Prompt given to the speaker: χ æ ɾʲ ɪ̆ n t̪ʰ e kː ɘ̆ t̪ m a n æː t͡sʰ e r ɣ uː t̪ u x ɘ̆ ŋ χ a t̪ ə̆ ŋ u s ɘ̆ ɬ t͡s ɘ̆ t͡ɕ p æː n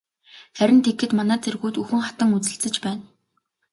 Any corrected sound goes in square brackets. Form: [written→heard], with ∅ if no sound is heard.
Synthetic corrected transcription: χ æ ɾʲ ɪ̆ n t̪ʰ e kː ɘ̆ t̪ m a n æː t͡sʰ e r ɣ uː t̪ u x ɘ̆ ŋ χ a t̪ ə̆ ŋ u [s→t͡s] ɘ̆ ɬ t͡s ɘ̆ t͡ɕ p æː n